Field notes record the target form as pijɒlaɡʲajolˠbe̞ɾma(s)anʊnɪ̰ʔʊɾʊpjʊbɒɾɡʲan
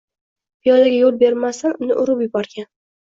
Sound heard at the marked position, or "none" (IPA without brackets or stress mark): s